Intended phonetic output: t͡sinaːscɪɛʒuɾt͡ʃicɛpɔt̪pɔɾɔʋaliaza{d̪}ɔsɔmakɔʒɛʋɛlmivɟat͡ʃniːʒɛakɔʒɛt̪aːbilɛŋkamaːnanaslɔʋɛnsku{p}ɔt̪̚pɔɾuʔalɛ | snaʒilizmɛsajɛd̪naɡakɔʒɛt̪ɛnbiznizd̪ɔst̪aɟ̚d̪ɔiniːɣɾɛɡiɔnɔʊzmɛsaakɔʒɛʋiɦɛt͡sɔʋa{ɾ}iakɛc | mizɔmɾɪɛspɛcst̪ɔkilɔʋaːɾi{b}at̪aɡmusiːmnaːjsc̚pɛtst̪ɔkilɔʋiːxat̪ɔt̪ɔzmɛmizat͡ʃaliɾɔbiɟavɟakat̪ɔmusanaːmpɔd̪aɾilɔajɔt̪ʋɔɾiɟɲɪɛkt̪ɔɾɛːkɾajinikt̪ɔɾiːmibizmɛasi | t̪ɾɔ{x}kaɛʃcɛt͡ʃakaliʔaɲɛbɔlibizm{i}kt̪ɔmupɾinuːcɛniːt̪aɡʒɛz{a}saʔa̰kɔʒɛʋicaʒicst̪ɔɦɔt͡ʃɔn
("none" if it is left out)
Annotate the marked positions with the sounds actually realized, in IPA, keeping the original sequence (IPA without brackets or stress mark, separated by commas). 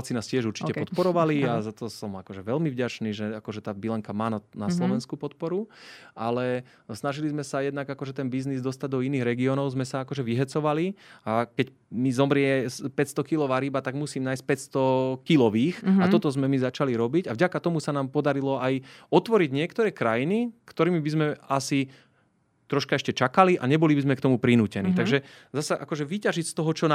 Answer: t̪, p, l, b, ʃ, ɛ, a